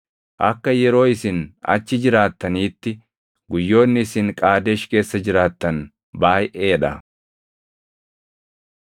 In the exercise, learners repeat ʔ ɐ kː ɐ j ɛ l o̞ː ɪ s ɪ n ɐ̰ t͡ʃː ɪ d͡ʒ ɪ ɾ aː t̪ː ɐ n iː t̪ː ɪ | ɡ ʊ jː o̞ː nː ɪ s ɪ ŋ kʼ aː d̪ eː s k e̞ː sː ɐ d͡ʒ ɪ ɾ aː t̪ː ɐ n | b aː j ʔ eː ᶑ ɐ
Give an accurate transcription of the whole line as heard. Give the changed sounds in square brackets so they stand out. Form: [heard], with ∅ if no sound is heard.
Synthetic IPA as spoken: ʔ ɐ kː ɐ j ɛ [ɾ] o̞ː ɪ s ɪ n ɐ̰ t͡ʃː ɪ d͡ʒ ɪ ɾ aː t̪ː ɐ n iː t̪ː ɪ | ɡ ʊ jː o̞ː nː ɪ s ɪ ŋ kʼ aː d̪ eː [ʃ] k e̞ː sː ɐ d͡ʒ ɪ ɾ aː t̪ː ɐ n | b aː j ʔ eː ᶑ ɐ